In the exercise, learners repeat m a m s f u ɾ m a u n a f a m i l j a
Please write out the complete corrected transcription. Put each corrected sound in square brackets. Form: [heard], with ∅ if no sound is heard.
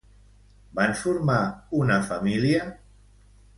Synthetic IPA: [b] a [n] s f u ɾ m a u n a f a m i l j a

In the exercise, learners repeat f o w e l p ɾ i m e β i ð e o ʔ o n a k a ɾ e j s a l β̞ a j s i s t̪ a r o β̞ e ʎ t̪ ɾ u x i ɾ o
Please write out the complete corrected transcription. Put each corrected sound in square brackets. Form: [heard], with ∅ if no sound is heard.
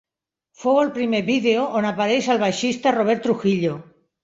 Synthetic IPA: f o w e l p ɾ i m e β i ð e o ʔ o n a [p] a ɾ e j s a l β̞ a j [ʃ] i s t̪ a r o β̞ e [ɾ] t̪ ɾ u x i [ʎ] o

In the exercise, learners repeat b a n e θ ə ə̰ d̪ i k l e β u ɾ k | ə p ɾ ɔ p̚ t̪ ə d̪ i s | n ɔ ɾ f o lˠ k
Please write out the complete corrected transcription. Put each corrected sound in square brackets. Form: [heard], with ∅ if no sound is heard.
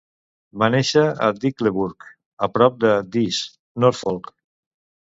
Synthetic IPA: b a n e [ʃ] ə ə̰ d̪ i k l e β u ɾ k | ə p ɾ ɔ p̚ [d̪] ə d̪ i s | n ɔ ɾ f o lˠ k

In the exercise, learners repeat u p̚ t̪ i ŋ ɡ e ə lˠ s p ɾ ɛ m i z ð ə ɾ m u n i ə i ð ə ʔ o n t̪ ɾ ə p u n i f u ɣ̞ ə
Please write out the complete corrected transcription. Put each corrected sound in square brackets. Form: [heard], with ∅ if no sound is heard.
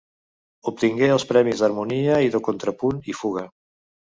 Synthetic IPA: u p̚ t̪ i ŋ ɡ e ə lˠ s p ɾ ɛ m i z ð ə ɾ m u n i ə i ð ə [k] o n t̪ ɾ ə p u n i f u ɣ̞ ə

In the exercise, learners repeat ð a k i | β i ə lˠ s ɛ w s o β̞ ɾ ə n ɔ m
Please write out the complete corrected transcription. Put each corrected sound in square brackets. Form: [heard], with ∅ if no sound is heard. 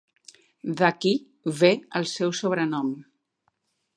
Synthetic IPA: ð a k i | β [e] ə lˠ s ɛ w s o β̞ ɾ ə n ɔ m

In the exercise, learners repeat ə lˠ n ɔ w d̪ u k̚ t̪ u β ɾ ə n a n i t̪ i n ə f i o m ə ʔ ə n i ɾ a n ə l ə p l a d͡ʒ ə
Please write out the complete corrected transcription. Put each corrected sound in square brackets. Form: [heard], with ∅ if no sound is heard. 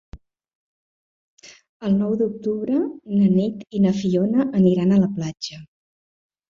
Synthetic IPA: ə lˠ n ɔ w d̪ u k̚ t̪ u β ɾ ə n [ə] n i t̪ i n ə f i o [n] ə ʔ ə n i ɾ a n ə l ə p l a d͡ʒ ə

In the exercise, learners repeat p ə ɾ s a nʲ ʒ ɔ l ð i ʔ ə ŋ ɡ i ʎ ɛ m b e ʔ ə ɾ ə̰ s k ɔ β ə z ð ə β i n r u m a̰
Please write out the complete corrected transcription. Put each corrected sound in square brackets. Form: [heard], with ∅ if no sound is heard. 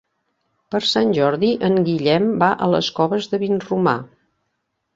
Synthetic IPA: p ə ɾ s a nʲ ʒ ɔ [ɾ] ð i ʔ ə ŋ ɡ i ʎ ɛ m b [a] ʔ ə [l] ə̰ s k ɔ β ə z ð ə β i n r u m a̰

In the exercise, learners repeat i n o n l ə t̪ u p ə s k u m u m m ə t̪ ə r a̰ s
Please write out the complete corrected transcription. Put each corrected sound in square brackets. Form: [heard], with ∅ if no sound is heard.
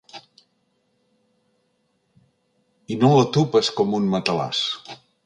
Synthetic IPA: i n o [∅] l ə t̪ u p ə s k [ɔ] m u [n] m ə t̪ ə [l] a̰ s

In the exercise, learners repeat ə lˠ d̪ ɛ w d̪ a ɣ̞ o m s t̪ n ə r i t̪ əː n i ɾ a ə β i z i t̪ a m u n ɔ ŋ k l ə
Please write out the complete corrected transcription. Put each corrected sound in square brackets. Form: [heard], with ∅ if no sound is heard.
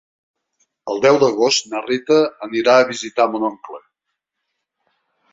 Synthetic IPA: ə lˠ d̪ ɛ w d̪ [ə] ɣ̞ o [∅] s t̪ n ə r i t̪ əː n i ɾ a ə β i z i t̪ a m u n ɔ ŋ k l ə

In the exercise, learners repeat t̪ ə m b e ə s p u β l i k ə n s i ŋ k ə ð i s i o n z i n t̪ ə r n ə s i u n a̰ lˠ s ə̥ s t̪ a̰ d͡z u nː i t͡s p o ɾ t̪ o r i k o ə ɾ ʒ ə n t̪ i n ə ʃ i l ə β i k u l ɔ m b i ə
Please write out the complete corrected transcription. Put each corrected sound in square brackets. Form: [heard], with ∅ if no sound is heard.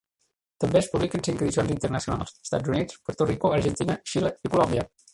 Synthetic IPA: t̪ ə m b e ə s p u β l i k ə n s i ŋ k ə ð i s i o n z i n t̪ ə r n ə s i u n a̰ lˠ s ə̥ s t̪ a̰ d͡z u [n] i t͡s p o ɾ t̪ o r i k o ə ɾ ʒ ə n t̪ i n ə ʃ i l ə [∅] i k u l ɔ m b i ə

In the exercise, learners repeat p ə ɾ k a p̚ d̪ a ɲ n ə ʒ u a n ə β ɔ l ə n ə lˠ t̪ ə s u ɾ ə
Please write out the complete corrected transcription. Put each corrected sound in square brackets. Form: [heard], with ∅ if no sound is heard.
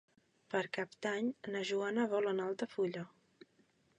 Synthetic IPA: p ə ɾ k a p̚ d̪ a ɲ n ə ʒ u a n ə β ɔ l ə n [a] lˠ t̪ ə [f] u [ʎ] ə

